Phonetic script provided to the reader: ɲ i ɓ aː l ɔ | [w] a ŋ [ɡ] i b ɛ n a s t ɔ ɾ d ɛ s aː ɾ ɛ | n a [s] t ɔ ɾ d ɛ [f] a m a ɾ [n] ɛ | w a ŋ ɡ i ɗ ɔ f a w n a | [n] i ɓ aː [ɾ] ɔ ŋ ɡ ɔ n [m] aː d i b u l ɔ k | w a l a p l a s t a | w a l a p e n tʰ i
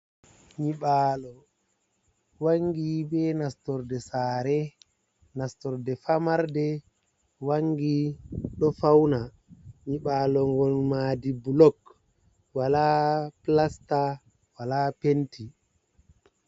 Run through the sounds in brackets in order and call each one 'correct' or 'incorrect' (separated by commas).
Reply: correct, correct, correct, correct, incorrect, incorrect, incorrect, correct